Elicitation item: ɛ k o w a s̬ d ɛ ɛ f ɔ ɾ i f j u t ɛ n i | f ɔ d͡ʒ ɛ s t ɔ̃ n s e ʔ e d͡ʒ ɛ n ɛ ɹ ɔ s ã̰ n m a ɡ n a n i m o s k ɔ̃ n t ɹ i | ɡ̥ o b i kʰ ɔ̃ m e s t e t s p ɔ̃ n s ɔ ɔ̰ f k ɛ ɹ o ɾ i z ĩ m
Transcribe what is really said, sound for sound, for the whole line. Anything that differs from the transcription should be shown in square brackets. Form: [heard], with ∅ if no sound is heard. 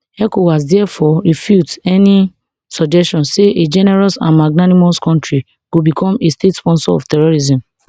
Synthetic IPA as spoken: ɛ k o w a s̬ d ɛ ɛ f ɔ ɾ i f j u t ɛ n i | [s] ɔ d͡ʒ ɛ s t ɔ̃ n s e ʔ e d͡ʒ ɛ n ɛ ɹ ɔ s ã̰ n m a ɡ n a n i m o s k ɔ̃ n t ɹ i | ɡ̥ o b i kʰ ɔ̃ m e s t e t s p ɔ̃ n s ɔ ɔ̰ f [t] ɛ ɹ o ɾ i z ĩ m

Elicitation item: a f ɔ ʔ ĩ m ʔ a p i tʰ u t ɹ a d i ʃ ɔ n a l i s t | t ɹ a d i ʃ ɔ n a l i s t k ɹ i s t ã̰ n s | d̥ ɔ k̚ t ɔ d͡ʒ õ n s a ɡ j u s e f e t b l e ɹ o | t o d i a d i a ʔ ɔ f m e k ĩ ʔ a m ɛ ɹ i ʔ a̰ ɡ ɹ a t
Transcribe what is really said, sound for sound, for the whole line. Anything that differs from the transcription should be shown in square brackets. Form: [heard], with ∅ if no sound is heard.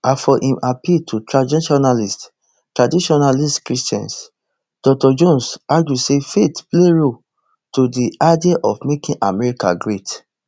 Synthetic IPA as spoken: a f ɔ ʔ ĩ m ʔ a p i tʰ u t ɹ a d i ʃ ɔ n a l i s t | t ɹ a d i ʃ ɔ n a l i s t k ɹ i s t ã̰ n s | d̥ ɔ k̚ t ɔ d͡ʒ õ n s a ɡ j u s e f e t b l e ɹ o | t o d i a d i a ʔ ɔ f m e k ĩ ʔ a m ɛ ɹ i [k] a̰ ɡ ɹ [e] t

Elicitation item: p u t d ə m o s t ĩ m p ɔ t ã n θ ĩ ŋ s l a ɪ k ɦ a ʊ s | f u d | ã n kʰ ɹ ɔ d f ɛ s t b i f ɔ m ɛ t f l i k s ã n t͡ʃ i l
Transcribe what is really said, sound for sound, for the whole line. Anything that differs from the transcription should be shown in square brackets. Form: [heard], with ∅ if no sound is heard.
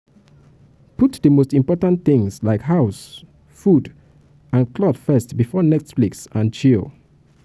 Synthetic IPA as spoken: p u t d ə m o s t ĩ m p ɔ t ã n θ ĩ ŋ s l a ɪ k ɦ a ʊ s | f u d | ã n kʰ [l] ɔ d f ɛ s t b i f ɔ [n] ɛ t f l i k s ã n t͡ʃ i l

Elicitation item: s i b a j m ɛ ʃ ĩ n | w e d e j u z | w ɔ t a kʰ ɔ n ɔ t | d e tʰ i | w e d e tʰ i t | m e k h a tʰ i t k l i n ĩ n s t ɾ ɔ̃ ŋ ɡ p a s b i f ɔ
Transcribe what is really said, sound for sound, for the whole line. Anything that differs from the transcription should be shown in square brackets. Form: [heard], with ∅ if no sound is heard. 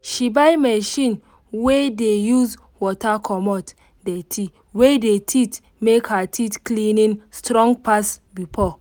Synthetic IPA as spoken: [ʃ] i b a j m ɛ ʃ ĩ n | w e d e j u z | w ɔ t a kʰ ɔ [m] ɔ t | d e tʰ i | w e d e tʰ i t | m e k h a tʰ i t k l i n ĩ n s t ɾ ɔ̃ ŋ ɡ p a s b i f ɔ

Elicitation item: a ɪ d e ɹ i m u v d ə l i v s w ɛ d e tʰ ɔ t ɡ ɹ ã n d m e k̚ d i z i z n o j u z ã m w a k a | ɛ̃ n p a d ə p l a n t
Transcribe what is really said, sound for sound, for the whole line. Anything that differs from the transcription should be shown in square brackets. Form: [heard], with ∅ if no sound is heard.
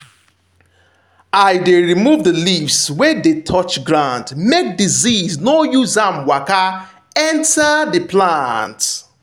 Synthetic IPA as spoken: a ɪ d e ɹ i m u v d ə l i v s w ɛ d e tʰ ɔ [t͡ʃ] ɡ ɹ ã n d m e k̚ d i z i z n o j u z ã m w a k a | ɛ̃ n [t] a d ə p l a n t

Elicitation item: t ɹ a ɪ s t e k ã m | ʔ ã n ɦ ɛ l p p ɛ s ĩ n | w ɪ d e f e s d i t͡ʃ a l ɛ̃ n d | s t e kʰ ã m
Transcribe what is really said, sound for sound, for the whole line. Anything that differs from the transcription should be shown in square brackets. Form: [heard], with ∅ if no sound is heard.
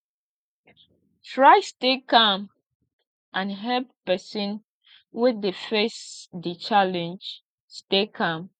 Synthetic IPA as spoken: t ɹ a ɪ s t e k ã m | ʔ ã n ɦ ɛ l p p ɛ s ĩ n | w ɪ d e f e s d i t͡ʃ a l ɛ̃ n [d͡ʒ] | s t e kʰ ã m

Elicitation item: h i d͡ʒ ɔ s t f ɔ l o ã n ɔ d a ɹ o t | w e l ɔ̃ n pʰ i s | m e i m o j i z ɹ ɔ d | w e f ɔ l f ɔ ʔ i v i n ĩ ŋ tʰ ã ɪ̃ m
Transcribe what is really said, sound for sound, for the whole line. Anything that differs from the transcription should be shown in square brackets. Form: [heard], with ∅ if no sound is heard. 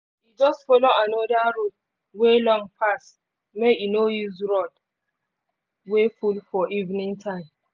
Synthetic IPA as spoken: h i d͡ʒ ɔ s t f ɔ l o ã n ɔ d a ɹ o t | w e l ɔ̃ [ŋ] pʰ [a] s | m e i [n] o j i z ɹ ɔ d | w e f [u] l f ɔ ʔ i v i n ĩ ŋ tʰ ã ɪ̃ m

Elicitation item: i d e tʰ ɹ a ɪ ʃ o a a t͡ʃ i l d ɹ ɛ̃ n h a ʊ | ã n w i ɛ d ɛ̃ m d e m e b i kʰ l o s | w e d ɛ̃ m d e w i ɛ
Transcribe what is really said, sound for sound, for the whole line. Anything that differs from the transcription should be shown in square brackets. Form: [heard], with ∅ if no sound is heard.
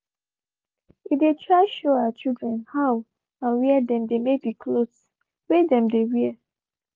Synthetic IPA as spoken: i d e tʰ ɹ a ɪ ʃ o a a t͡ʃ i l d ɹ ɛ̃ n h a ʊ | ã n w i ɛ d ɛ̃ m d e m e b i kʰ l o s | w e d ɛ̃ m d e w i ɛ

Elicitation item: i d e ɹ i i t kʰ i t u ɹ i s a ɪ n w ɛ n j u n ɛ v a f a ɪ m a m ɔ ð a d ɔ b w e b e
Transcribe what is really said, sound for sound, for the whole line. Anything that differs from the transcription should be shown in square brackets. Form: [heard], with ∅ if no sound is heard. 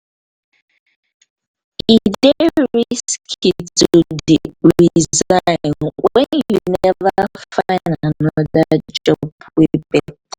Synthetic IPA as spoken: i d e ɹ i i [s] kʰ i t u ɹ i [z] a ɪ n w ɛ n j u n ɛ v a f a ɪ [n] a [n] ɔ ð a [d͡ʒ] ɔ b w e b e

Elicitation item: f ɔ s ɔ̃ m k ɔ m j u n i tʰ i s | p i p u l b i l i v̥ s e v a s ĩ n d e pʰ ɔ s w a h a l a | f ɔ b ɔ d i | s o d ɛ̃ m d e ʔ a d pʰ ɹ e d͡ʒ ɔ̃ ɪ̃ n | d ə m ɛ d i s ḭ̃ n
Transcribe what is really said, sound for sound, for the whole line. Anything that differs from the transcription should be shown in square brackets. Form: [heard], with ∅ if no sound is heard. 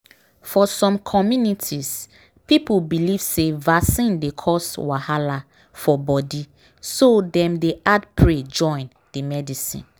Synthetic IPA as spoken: f ɔ s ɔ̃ m [kʰ] ɔ m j u n i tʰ i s | p i p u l b i l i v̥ s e v a s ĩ n d e [kʰ] ɔ s w a h a l a | f ɔ b ɔ d i | s o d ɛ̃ m d e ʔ a d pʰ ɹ e d͡ʒ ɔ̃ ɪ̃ n | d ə m ɛ d i s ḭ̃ n

